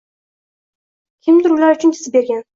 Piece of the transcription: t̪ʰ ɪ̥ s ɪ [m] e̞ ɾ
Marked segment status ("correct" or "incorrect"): incorrect